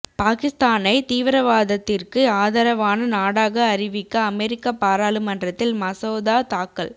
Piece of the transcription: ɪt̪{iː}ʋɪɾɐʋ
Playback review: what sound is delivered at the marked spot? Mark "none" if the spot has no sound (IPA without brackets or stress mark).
iː